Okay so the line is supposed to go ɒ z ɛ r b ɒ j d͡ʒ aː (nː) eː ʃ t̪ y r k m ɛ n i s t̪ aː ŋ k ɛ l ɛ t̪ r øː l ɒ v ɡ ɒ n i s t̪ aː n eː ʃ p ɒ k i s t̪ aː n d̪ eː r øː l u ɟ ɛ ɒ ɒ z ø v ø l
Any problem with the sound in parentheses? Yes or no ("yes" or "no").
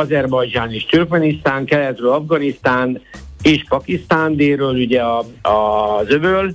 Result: yes